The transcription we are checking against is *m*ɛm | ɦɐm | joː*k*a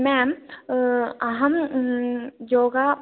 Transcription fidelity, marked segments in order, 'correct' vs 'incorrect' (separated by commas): correct, incorrect